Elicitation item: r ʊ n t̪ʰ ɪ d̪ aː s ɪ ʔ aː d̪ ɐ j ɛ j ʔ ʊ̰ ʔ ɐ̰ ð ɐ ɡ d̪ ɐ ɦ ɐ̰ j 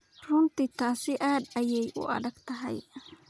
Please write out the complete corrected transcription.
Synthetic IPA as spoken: r ʊ n t̪ ɪ t̪ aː s ɪ ʔ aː d̪ ɐ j ɛ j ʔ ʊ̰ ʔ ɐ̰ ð ɐ ɡ t̪ ɐ ɦ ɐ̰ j